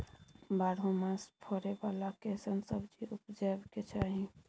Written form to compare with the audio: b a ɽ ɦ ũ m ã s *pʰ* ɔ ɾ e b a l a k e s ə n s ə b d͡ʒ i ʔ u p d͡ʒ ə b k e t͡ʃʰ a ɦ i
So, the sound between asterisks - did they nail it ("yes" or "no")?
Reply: yes